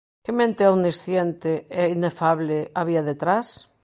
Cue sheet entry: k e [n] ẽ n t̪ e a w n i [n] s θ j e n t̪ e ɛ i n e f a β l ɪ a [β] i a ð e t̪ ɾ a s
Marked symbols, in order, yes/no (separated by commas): no, no, yes